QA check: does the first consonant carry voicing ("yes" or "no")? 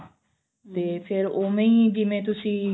no